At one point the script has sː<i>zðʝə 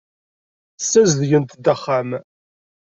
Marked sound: incorrect: æ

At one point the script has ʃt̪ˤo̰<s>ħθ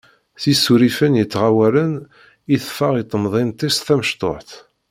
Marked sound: incorrect: none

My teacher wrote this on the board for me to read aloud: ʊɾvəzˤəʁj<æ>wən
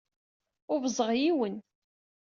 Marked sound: incorrect: i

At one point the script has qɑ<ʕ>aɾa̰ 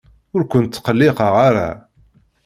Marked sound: incorrect: ʁ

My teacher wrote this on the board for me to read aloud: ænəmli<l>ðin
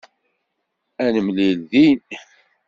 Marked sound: correct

